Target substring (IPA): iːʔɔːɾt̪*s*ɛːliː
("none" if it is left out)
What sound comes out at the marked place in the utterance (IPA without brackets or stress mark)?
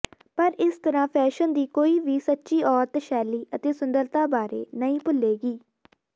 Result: ʃ